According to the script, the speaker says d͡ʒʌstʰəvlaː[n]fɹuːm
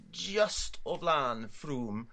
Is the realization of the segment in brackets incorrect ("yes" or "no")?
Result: no